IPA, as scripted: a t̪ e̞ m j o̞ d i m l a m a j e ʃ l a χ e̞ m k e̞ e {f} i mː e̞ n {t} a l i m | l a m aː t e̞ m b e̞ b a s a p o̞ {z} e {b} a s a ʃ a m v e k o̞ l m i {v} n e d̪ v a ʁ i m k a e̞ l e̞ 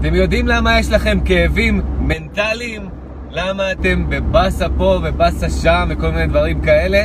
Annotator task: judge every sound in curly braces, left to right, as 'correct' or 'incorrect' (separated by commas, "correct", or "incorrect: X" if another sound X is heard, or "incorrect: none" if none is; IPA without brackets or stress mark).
incorrect: v, correct, incorrect: v, correct, incorrect: none